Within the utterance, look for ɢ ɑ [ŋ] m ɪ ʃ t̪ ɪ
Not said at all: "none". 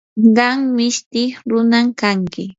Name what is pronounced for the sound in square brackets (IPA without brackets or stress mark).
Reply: ŋ